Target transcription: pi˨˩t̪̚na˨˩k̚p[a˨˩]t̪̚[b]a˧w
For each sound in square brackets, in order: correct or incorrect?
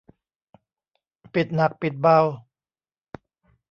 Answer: incorrect: i˨˩, correct

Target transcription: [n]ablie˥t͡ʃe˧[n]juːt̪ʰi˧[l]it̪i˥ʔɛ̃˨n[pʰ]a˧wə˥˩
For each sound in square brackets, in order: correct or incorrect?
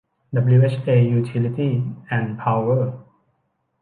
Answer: incorrect: d, incorrect: none, correct, correct

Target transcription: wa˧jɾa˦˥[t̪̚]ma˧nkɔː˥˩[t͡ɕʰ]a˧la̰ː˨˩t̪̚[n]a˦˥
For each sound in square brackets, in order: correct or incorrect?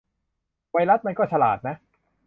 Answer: correct, correct, correct

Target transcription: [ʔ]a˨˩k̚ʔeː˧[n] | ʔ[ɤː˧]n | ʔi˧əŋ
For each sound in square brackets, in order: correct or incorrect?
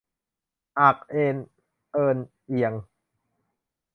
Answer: correct, correct, correct

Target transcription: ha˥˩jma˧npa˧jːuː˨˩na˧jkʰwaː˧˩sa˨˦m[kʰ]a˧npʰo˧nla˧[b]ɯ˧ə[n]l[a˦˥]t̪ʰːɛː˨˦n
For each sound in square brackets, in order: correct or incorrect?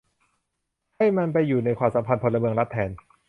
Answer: incorrect: pʰ, incorrect: m, incorrect: ŋ, correct

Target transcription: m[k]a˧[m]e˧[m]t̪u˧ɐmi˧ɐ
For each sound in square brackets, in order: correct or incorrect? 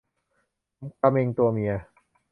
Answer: correct, correct, incorrect: ŋ

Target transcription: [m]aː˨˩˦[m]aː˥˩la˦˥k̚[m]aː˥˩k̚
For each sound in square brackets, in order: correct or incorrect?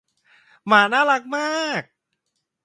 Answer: correct, incorrect: n, correct

